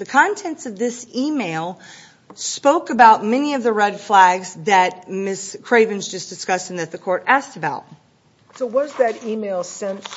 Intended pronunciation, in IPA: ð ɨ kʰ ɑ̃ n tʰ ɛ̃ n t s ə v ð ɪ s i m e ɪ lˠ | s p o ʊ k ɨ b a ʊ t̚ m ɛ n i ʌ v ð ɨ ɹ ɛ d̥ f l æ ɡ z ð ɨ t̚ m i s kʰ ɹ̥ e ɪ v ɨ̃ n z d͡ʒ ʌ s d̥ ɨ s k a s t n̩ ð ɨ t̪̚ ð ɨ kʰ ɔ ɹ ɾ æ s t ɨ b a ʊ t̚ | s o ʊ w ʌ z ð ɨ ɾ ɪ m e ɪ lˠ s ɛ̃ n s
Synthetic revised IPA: ð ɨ kʰ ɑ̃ n tʰ ɛ̃ n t s ʌ v ð ɪ s i m e ɪ lˠ | s p o ʊ k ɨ b a ʊ t̚ m ɛ n i ʌ v ð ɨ ɹ ɛ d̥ f l æ ɡ z ð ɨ t̚ m ɪ s kʰ ɹ̥ e ɪ v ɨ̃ n z d͡ʒ ʌ s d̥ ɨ s k ʌ s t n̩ ð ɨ t̪̚ ð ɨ kʰ ɔ ɹ ɾ æ s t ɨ b a ʊ t̚ | s o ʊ w ʌ z ð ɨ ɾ i m e ɪ lˠ s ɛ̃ n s